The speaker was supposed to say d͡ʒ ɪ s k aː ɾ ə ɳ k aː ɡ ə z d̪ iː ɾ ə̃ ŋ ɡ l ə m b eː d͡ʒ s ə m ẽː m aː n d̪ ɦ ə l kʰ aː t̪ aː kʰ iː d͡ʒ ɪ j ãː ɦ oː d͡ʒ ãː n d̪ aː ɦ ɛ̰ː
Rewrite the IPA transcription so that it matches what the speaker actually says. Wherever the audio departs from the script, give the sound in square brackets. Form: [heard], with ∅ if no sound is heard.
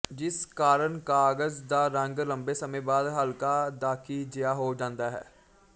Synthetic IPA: d͡ʒ ɪ s k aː ɾ ə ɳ k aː ɡ ə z d̪ [aː] ɾ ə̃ ŋ ɡ l ə m b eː [∅] s ə m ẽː [b] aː [∅] d̪ ɦ ə l [k] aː [d̪] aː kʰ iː d͡ʒ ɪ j [aː] ɦ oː d͡ʒ ãː n d̪ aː ɦ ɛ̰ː